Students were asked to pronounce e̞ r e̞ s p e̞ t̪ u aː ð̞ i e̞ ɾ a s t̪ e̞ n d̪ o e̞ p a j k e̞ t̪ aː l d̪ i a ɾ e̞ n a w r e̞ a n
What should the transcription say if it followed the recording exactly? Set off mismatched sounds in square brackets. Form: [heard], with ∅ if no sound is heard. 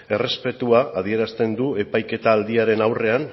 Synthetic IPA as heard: e̞ r e̞ s p e̞ t̪ u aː ð̞ i e̞ ɾ a s t̪ e̞ n d̪ [u] e̞ p a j k e̞ t̪ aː l d̪ i a ɾ e̞ n a w r e̞ a n

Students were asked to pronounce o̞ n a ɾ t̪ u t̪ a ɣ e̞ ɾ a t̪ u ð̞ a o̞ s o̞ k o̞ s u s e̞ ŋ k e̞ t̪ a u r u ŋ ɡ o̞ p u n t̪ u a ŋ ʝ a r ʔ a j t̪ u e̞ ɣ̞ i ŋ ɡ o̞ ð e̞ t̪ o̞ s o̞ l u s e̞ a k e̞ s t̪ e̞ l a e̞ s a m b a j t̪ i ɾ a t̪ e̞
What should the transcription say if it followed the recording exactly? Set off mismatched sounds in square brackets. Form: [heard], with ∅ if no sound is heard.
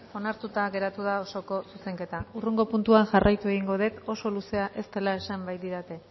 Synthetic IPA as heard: o̞ n a ɾ t̪ u t̪ a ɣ e̞ ɾ a t̪ u ð̞ a o̞ s o̞ k o̞ s u s e̞ ŋ k e̞ t̪ a u r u ŋ ɡ o̞ p u n t̪ u a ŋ ʝ a r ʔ a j t̪ u e̞ ɣ̞ i ŋ ɡ o̞ ð e̞ t̪ o̞ s o̞ l u s e̞ a [ʔ] e̞ s t̪ e̞ l a e̞ s a m b a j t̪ i ɾ a t̪ e̞

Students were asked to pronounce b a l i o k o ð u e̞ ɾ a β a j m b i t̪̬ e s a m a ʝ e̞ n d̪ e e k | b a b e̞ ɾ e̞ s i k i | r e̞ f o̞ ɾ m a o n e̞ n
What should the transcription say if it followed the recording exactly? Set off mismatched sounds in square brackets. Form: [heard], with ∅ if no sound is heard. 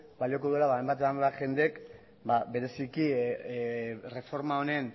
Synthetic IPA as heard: b a l i o k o ð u e̞ [l] a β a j m b [a] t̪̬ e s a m a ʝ e̞ n d̪ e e k | b a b e̞ ɾ e̞ s i k i | r e̞ f o̞ ɾ m a o n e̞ n

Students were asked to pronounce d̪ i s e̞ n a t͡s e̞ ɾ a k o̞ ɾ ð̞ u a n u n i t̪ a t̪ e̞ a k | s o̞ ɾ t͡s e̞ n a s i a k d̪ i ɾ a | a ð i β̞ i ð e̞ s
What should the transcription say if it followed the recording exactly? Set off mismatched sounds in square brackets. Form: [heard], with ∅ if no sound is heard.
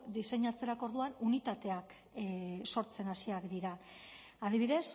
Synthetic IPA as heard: d̪ i s e̞ [ɲ] a t͡s e̞ ɾ a k o̞ ɾ ð̞ u a n u n i t̪ a t̪ e̞ a k | s o̞ ɾ t͡s e̞ n a s i a k d̪ i ɾ a | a ð i β̞ i ð e̞ s

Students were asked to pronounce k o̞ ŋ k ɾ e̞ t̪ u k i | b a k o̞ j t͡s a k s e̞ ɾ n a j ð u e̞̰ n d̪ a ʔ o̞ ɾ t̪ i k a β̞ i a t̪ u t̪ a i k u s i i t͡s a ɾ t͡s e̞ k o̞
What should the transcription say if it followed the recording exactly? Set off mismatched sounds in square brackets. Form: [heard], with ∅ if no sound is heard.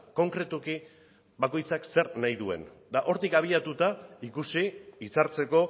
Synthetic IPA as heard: k o̞ ŋ k ɾ e̞ t̪ u k i | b a k o̞ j t͡s a k s e̞ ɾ n a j ð u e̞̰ n d̪ a ʔ o̞ ɾ t̪ i k a β̞ i a t̪ u t̪ a i k u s i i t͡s a ɾ t͡s e̞ k o̞

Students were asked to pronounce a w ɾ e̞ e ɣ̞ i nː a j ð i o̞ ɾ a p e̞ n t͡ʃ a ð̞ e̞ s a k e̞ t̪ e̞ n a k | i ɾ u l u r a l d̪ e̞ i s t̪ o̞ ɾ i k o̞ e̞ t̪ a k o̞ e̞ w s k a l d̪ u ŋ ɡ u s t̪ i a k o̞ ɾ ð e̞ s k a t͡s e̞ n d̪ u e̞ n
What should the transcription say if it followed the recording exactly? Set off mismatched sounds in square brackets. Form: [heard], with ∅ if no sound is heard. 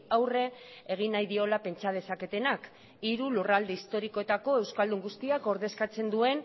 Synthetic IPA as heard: a w [r] e̞ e ɣ̞ i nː a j ð i o̞ [l] a p e̞ n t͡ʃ a ð̞ e̞ s a k e̞ t̪ e̞ n a k | i ɾ u l u r a l d̪ e̞ i s t̪ o̞ ɾ i k o̞ e̞ t̪ a k o̞ e̞ w s k a l d̪ u ŋ ɡ u s t̪ i a k o̞ ɾ ð e̞ s k a t͡s e̞ n d̪ u e̞ n

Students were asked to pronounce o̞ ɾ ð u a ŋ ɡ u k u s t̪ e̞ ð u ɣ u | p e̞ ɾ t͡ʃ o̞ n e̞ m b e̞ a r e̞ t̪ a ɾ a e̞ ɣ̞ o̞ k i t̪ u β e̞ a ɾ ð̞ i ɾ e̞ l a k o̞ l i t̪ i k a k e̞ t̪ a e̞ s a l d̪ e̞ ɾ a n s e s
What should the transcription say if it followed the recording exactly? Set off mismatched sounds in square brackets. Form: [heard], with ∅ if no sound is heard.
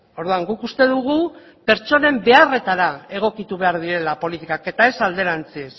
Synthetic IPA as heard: o̞ ɾ ð u a ŋ ɡ u k u s t̪ e̞ ð u ɣ u | p e̞ ɾ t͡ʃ o̞ n e̞ m b e̞ a r e̞ t̪ a ɾ a e̞ ɣ̞ o̞ k i t̪ u β e̞ a ɾ ð̞ i ɾ e̞ l a [p] o̞ l i t̪ i k a k e̞ t̪ a e̞ s a l d̪ e̞ ɾ a n [t͡s] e s

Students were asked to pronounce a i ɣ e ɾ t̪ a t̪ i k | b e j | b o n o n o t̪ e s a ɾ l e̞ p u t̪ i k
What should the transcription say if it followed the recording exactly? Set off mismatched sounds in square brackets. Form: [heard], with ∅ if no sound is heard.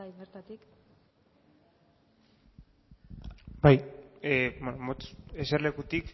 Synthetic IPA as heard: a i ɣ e ɾ t̪ a t̪ i k | b [a] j | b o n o [m] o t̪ e s [e] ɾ l e̞ [k] u t̪ i k

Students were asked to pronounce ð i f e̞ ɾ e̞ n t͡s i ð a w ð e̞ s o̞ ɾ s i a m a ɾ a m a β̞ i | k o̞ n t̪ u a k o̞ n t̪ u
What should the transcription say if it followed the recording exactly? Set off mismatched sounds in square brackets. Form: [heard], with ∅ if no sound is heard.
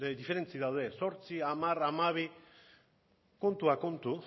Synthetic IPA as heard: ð i f e̞ ɾ e̞ n t͡s i ð a w ð e̞ s o̞ ɾ [t͡s] i a m a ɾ a m a β̞ i | k o̞ n t̪ u a k o̞ n t̪ u

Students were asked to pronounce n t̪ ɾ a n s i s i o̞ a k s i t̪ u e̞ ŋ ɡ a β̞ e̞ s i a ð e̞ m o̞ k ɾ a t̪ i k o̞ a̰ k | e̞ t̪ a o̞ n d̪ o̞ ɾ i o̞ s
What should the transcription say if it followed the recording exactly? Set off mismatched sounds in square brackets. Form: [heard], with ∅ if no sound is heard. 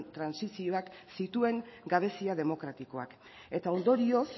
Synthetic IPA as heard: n t̪ ɾ a n s i s i o̞ a k s i t̪ u e̞ ŋ ɡ a β̞ e̞ s i a ð e̞ m o̞ k ɾ a t̪ i k o̞ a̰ k | e̞ t̪ a o̞ n d̪ o̞ ɾ i o̞ s

